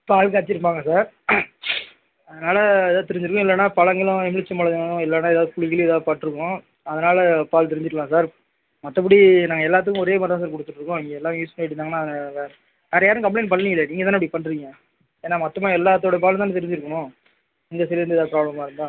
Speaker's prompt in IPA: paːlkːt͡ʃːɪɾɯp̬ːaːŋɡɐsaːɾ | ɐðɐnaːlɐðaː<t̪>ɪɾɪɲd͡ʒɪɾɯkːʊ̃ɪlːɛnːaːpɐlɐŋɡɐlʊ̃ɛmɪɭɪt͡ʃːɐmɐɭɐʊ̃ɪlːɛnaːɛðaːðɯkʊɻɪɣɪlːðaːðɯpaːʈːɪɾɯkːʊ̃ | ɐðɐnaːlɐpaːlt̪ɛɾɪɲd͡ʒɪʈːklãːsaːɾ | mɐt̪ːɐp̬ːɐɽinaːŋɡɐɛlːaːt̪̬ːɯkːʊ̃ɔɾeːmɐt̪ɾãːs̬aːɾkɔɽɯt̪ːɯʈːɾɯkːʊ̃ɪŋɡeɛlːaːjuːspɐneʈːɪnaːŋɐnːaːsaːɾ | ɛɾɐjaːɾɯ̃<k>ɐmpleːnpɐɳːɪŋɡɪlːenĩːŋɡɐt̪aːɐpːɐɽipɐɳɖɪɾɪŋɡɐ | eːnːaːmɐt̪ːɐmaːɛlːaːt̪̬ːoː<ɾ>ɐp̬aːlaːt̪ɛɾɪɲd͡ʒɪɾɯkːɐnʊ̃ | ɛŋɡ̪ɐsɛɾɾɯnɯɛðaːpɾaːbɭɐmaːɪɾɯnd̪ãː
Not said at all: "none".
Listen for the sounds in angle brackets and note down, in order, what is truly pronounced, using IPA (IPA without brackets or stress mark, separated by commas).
t̪, k, ɽ